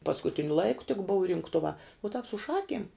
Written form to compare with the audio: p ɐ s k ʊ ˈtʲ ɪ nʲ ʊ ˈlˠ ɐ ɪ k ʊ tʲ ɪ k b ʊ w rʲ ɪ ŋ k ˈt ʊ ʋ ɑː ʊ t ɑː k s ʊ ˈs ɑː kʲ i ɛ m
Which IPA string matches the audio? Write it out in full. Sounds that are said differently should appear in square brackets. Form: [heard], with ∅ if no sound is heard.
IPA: p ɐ s k ʊ ˈtʲ ɪ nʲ ʊ ˈlˠ ɐ ɪ k ʊ tʲ ɪ k b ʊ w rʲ ɪ ŋ k ˈt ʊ ʋ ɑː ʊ t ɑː [p] s ʊ [ˈʃ] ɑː kʲ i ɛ m